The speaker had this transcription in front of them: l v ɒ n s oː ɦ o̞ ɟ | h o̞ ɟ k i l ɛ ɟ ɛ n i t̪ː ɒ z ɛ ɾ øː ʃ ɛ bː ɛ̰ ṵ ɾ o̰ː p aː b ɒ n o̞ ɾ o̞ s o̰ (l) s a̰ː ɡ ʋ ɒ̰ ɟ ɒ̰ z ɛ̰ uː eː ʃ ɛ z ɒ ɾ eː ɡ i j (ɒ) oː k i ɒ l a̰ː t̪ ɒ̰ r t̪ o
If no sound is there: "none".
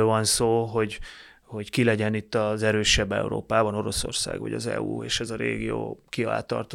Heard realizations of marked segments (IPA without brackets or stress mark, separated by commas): r, o